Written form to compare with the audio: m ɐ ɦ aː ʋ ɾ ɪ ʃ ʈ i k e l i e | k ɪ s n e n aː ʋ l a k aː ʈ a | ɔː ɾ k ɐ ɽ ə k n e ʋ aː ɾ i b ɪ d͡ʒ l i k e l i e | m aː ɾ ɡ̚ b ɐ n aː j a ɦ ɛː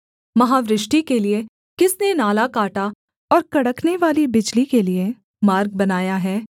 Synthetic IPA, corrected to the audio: m ɐ ɦ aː ʋ ɾ ɪ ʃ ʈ i k e l i e | k ɪ s n e n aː l a k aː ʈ a | ɔː ɾ k ɐ ɽ ə k n e ʋ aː l i b ɪ d͡ʒ l i k e l i e | m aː ɾ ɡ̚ b ɐ n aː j a ɦ ɛː